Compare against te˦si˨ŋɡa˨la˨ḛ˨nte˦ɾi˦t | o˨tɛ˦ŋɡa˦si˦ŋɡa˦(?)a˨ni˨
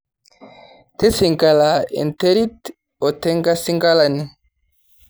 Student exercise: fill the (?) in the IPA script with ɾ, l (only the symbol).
l